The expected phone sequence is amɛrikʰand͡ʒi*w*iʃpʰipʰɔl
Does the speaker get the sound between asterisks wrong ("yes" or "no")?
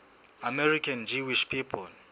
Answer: no